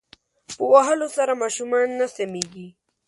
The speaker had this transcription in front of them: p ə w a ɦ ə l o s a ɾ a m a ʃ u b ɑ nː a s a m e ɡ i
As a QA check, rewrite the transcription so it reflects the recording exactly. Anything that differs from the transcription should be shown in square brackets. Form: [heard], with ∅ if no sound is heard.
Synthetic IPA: p ə w a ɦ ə l o s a ɾ a m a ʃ u [m] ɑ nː a s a m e ɡ i